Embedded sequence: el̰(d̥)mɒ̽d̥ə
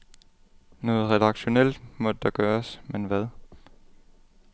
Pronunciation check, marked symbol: correct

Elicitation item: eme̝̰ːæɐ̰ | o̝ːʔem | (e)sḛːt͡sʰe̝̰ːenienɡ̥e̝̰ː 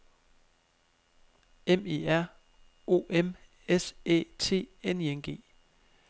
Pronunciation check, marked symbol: correct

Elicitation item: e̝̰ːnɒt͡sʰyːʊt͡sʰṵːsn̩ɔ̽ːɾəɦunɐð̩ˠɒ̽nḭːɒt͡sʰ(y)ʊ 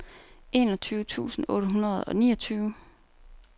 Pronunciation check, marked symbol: incorrect: yː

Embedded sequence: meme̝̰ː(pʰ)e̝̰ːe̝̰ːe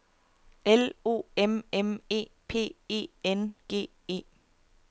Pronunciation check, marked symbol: correct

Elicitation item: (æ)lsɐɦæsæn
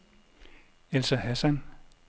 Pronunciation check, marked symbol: incorrect: e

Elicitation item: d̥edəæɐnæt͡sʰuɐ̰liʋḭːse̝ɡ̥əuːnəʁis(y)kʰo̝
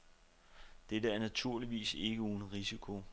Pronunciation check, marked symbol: incorrect: i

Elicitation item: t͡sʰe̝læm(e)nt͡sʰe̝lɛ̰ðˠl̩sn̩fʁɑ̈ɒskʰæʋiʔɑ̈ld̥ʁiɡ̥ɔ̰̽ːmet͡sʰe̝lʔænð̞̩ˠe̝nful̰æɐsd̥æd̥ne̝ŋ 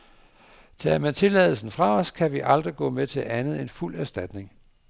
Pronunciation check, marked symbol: incorrect: æ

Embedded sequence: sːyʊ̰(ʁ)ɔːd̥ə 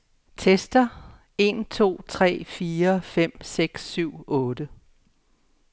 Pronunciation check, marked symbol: incorrect: none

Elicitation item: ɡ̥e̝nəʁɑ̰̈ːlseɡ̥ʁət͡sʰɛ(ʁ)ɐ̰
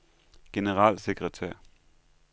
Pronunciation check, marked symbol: incorrect: none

